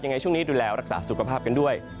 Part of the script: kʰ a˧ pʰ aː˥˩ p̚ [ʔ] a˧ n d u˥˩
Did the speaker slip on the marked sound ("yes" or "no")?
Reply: yes